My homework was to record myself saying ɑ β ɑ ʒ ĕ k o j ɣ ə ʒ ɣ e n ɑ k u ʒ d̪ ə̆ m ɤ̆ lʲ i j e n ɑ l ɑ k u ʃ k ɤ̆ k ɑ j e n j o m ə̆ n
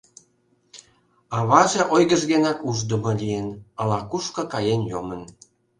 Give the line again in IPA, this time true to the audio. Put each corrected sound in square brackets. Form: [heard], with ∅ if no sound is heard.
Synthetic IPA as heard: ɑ β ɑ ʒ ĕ [ʔ] o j ɣ ə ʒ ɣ e n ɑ k u ʒ d̪ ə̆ m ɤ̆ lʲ i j e n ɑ l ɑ k u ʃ k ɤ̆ k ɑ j e n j o m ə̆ n